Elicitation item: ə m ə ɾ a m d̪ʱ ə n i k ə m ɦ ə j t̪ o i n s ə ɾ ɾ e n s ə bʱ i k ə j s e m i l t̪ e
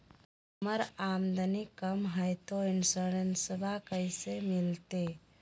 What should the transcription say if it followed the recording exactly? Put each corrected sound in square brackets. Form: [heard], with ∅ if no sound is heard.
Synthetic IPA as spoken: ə m ə ɾ a m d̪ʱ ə n i k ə m ɦ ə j t̪ o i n s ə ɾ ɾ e n s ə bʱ [a] k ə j s e m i l t̪ e